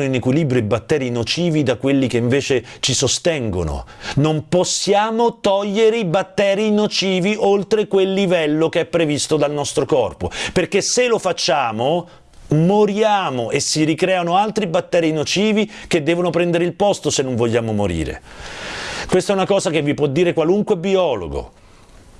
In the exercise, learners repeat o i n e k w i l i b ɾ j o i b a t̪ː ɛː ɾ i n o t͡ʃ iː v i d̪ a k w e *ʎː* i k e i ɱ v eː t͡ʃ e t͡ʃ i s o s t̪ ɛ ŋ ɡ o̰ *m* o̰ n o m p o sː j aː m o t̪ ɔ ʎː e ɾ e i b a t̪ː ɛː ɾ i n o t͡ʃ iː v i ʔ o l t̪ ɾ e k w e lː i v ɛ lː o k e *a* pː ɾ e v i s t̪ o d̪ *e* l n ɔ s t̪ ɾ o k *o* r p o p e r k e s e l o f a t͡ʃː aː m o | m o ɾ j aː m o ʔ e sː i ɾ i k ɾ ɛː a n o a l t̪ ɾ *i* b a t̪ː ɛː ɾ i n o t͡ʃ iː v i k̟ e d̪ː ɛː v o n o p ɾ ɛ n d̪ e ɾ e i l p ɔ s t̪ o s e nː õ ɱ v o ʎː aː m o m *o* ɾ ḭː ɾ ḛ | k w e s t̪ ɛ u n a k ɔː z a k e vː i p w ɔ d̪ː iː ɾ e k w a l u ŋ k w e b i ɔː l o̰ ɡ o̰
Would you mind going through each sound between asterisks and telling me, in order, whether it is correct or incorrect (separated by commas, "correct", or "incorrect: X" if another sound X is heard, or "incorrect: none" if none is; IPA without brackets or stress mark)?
incorrect: lː, incorrect: n, incorrect: ɛ, incorrect: a, incorrect: ɔ, correct, correct